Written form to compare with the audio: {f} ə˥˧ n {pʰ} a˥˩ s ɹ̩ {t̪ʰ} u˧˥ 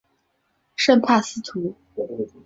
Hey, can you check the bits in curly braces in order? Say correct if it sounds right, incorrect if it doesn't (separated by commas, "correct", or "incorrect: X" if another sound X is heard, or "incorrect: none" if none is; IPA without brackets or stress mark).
incorrect: ʂ, correct, correct